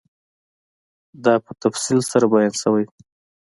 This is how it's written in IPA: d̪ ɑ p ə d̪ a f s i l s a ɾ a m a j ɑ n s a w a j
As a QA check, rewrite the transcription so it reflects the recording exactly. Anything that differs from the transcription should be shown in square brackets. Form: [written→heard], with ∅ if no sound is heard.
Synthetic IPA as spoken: d̪ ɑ p ə [d̪→t̪] a f s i l s a ɾ a [m→b] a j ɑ n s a w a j